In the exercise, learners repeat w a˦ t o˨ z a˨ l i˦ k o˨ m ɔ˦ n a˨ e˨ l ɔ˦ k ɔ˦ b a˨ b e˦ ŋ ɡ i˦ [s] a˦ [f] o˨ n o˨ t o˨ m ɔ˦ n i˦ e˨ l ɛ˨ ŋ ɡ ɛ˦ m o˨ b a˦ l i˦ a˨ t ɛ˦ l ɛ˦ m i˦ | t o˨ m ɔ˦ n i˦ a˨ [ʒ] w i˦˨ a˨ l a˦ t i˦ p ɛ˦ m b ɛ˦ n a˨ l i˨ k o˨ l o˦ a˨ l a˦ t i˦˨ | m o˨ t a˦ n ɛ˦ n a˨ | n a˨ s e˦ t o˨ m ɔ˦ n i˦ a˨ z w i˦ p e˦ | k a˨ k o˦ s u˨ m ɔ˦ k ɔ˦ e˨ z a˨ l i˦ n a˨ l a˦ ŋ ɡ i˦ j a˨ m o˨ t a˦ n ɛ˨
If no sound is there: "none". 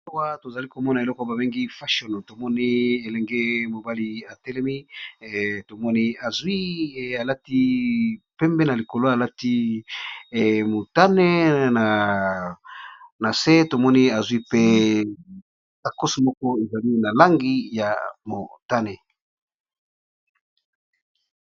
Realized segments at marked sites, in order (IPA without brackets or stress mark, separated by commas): f, ʃ, z